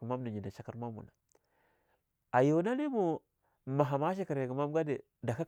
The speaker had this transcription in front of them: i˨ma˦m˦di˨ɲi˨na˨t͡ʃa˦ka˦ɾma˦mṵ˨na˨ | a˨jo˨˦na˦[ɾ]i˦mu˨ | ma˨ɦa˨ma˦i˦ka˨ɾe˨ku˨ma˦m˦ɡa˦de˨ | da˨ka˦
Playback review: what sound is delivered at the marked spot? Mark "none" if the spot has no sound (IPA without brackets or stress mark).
l